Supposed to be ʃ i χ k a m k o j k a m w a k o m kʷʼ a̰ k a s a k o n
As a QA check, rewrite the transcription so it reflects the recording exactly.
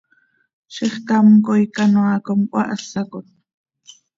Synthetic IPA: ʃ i χ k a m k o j k a n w a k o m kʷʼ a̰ ʔ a s a k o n